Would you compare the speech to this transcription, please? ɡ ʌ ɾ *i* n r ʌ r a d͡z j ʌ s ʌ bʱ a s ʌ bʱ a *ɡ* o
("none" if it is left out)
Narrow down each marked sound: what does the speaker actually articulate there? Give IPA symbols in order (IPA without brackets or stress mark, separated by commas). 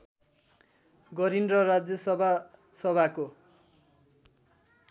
i, k